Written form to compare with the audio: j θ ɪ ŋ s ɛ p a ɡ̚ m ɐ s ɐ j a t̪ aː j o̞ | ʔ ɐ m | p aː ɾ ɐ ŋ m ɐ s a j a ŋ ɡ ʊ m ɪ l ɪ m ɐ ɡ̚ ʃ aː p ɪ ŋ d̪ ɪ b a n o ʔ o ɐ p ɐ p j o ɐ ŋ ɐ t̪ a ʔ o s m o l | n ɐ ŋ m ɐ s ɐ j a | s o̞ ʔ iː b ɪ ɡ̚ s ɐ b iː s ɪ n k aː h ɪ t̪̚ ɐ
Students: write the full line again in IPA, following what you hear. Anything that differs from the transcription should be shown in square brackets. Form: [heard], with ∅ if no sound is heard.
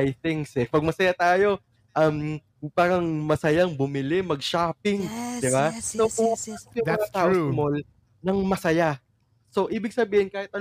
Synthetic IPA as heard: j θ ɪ ŋ s ɛ p [ɐ] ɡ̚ m ɐ s ɐ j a t̪ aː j o̞ | ʔ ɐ m | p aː ɾ ɐ ŋ m ɐ s [ɐ] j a ŋ [b] ʊ m ɪ l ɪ m ɐ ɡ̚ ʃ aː p ɪ ŋ d̪ ɪ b a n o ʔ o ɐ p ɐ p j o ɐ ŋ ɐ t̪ a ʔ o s m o l | n ɐ ŋ m ɐ s ɐ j a | s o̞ ʔ iː b ɪ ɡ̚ s ɐ b iː [h] ɪ n k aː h ɪ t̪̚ ɐ